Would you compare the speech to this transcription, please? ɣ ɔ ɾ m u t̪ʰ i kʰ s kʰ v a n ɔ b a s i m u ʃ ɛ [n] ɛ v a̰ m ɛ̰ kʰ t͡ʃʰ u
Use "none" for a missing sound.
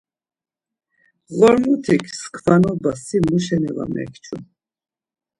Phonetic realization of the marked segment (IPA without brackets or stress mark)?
n